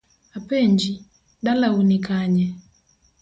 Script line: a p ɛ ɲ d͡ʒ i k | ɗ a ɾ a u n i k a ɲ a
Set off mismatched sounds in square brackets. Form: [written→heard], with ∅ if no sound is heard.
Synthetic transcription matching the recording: a p ɛ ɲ d͡ʒ i [k→∅] | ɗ a [ɾ→l] a u n i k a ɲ [a→ɛ]